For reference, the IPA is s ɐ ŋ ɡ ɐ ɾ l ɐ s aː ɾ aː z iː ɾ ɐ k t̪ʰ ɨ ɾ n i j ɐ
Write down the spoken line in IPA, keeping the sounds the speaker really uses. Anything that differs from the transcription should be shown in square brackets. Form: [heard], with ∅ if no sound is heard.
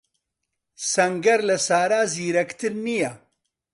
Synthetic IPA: s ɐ ŋ ɡ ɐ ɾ l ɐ s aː ɾ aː z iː ɾ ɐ k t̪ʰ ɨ ɾ n i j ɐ